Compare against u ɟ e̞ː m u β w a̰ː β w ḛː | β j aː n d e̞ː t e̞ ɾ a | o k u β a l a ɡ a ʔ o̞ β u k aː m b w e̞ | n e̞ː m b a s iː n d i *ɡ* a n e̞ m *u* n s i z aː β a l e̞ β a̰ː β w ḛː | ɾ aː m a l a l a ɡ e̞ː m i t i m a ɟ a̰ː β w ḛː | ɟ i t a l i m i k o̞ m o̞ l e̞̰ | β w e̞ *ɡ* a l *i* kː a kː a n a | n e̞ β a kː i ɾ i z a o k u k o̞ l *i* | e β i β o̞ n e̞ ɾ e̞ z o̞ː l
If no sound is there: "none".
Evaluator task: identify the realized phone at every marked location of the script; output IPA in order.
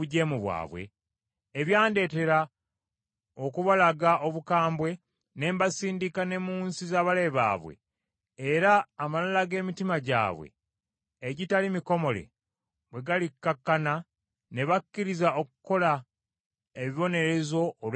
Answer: k, uː, ɡ, i, a

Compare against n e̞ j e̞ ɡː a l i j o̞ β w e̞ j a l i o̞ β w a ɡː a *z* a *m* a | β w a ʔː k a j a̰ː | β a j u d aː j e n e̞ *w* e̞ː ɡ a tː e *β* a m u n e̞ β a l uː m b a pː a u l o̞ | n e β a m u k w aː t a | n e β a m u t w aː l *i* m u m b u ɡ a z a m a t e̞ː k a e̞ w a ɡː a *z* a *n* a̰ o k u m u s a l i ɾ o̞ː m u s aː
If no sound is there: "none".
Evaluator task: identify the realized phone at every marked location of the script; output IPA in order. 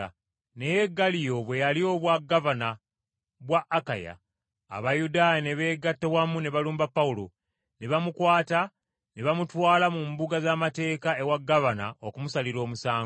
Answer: v, n, β, w, a, v, n

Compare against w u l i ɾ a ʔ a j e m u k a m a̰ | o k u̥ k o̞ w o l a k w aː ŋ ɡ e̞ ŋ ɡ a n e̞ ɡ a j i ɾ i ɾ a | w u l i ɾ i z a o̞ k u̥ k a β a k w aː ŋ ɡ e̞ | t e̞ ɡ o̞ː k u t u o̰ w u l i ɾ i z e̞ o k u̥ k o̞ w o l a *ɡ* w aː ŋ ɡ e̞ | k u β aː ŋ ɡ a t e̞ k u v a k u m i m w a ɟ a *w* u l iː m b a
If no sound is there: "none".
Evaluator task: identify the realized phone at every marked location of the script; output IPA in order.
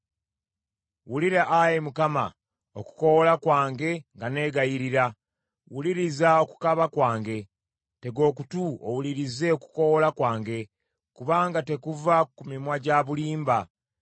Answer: k, β

